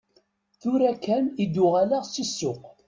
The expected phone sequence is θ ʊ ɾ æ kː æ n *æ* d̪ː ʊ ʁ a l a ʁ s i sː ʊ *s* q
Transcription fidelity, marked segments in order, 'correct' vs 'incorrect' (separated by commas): incorrect, incorrect